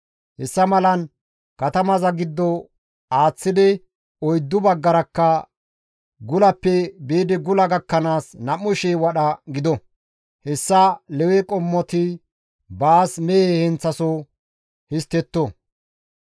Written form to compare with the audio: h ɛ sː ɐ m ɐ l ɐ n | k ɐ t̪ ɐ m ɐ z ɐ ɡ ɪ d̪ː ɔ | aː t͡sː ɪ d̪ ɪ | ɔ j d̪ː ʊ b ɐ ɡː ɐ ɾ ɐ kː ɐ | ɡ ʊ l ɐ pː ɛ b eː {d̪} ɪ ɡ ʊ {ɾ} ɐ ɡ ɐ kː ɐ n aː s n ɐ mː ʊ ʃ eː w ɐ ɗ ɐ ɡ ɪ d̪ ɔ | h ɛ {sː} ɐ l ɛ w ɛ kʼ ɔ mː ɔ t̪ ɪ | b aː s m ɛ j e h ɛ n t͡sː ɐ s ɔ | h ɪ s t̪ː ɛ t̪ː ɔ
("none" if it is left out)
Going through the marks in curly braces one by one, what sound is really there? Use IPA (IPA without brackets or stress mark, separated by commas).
d̪, l, sː